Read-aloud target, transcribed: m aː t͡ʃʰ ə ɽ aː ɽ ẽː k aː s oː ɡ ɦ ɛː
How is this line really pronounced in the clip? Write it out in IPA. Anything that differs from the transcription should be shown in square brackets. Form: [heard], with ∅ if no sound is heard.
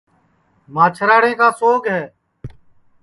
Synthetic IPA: m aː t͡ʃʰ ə [ɾ] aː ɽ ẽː k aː s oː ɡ ɦ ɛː

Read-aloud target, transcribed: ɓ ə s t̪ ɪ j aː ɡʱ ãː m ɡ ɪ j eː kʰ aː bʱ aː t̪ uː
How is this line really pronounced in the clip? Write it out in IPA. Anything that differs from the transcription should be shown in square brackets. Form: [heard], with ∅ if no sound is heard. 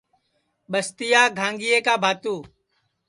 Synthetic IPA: ɓ ə s t̪ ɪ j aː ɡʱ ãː [ŋ] ɡ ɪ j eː [k] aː bʱ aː t̪ uː

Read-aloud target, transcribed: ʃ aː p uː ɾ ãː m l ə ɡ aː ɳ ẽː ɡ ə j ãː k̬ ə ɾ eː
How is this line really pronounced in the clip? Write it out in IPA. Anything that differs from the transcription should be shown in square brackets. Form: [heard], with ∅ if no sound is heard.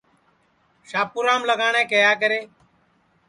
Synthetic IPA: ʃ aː p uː ɾ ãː m l ə ɡ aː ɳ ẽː [k] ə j [aː] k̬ ə ɾ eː

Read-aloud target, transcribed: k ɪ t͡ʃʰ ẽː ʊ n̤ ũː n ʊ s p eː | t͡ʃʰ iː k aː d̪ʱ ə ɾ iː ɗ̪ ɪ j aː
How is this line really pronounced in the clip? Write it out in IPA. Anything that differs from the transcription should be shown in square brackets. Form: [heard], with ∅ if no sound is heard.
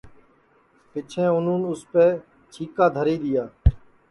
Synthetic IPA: [p] ɪ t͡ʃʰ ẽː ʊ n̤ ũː n ʊ s p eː | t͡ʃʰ iː k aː d̪ʱ ə ɾ iː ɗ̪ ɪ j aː

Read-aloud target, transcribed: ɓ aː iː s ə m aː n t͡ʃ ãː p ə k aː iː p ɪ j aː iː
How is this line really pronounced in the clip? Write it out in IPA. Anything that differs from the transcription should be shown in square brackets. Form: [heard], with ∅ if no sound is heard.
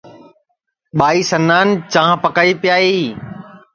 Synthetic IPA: ɓ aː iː s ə [n] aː n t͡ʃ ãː p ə k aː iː p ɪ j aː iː

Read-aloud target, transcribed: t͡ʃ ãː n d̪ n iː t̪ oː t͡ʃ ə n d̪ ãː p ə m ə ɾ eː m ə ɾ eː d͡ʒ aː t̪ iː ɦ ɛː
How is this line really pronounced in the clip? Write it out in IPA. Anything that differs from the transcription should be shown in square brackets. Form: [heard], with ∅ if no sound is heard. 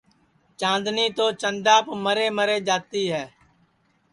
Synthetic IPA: t͡ʃ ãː n d̪ n iː t̪ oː t͡ʃ ə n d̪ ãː p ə m ə ɾ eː m ə ɾ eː d͡ʒ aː t̪ iː ɦ ɛː

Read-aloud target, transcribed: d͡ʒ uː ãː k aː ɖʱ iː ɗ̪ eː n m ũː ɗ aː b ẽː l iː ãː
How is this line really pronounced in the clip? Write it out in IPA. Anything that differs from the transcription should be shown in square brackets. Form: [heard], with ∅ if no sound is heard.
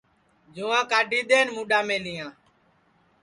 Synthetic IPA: d͡ʒ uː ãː k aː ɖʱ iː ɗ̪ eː n m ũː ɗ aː [m] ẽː l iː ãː

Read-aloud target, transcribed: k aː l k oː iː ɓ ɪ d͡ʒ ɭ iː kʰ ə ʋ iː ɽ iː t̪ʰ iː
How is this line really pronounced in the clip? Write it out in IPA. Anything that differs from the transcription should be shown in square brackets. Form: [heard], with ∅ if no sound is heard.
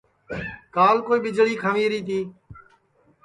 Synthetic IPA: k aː l k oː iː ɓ ɪ d͡ʒ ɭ iː kʰ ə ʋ iː [ɾ] iː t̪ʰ iː

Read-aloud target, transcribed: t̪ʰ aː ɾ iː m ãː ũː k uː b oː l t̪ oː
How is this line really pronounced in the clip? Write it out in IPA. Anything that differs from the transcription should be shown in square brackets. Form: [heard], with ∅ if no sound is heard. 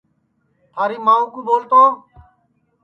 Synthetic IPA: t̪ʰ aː ɾ iː m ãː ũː k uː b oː l t̪ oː

